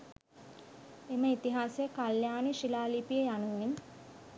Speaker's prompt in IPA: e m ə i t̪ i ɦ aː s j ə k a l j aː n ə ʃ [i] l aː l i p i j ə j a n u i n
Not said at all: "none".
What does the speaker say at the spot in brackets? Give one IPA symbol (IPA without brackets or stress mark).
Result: i